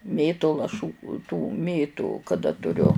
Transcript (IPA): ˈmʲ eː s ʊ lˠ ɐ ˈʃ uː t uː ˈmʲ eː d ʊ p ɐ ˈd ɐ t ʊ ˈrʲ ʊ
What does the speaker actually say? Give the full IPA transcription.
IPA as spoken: ˈmʲ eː t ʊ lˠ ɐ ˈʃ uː t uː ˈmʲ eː t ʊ k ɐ ˈd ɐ t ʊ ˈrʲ ʊ